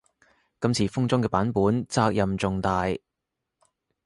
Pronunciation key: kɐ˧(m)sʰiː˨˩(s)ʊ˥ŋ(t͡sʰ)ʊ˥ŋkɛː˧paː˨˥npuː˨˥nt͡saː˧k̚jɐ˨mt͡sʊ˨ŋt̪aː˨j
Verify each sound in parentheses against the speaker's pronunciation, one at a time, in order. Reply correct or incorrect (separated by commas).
correct, incorrect, incorrect